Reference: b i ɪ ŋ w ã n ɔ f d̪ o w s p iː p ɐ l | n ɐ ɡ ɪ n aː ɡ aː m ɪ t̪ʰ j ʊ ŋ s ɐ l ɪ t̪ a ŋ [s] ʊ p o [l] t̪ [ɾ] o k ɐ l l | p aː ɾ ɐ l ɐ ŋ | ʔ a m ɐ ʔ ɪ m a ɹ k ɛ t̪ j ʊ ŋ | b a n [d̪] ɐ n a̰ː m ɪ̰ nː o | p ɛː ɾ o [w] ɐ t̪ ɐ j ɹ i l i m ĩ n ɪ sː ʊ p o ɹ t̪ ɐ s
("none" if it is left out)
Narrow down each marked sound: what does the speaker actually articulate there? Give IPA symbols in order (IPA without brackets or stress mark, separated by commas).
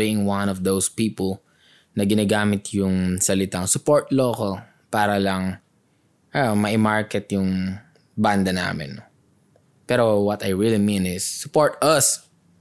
s, ɹ, l, d̪, w